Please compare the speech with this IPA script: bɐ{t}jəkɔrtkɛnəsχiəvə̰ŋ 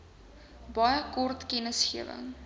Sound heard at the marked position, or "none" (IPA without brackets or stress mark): none